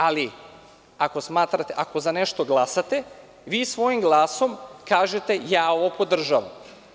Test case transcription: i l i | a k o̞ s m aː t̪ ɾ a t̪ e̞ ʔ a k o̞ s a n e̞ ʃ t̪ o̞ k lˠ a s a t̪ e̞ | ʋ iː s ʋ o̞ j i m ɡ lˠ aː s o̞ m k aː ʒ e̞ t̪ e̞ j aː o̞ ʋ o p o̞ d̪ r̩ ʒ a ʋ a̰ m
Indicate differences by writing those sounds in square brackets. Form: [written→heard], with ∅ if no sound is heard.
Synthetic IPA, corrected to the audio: [i→a] l i | a k o̞ s m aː t̪ ɾ a t̪ e̞ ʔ a k o̞ [s→z] a n e̞ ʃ t̪ o̞ [k→ɡ] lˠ a s a t̪ e̞ | ʋ iː s ʋ o̞ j i m ɡ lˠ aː s o̞ m k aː ʒ e̞ t̪ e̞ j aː o̞ ʋ o p o̞ d̪ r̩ ʒ a ʋ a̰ m